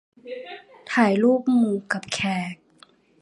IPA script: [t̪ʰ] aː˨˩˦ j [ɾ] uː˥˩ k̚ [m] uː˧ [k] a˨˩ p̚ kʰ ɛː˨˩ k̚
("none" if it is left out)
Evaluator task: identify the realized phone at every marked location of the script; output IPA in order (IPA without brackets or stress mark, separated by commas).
t̪ʰ, l, m, k